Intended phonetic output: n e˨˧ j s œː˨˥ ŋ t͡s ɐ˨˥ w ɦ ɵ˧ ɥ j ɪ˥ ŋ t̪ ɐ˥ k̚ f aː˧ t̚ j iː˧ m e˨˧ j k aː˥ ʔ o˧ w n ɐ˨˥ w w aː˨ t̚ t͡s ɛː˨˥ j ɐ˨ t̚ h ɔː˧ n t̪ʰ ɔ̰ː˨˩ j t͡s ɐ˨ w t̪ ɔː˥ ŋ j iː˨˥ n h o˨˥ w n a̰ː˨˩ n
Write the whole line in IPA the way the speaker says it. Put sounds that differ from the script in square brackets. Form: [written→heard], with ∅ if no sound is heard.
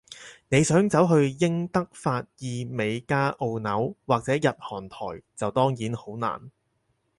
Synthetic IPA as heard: n e˨˧ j s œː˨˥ ŋ t͡s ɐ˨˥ w ɦ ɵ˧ ɥ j ɪ˥ ŋ t̪ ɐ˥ k̚ f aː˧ t̚ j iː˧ m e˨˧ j k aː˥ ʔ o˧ w n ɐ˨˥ w w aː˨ [t̚→k̚] t͡s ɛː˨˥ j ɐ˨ t̚ h [ɔː˧→ɔː˨˩] n t̪ʰ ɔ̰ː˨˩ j t͡s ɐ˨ w t̪ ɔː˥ ŋ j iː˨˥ n h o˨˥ w n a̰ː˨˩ n